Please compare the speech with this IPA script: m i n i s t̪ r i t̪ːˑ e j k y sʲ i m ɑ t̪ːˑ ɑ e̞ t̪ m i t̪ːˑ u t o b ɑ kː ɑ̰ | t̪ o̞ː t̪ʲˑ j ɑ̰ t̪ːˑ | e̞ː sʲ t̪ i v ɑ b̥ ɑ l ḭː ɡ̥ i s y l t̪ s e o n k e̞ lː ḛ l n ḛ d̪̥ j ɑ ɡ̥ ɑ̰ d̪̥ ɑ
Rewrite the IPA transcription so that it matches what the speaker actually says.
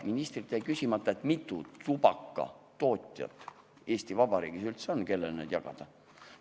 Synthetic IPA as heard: m i n i s t̪ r i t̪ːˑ e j k y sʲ i m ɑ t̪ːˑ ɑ e̞ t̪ m i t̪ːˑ u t u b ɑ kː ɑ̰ | t̪ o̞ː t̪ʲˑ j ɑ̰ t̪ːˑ | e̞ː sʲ t̪ i v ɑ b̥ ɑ ɾ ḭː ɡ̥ i s y l t̪ s e o n k e̞ lː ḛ l n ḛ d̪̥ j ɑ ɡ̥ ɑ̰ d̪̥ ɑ